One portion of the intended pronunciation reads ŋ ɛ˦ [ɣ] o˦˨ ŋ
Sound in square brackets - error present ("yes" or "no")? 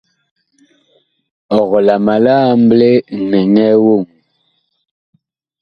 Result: yes